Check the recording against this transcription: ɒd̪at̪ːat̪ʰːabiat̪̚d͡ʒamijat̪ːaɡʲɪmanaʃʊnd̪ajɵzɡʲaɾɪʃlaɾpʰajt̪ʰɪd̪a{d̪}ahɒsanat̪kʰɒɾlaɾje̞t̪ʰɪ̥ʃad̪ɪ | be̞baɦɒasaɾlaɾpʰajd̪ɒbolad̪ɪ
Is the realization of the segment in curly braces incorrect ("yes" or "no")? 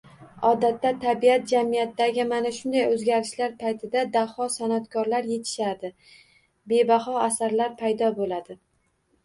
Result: no